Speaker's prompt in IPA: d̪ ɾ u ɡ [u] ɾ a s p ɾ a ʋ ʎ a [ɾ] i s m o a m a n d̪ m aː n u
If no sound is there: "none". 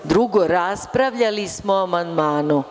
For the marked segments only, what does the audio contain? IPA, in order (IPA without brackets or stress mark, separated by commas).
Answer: o, l